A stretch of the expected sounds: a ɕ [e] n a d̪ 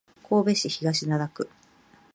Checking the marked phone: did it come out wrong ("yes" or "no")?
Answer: yes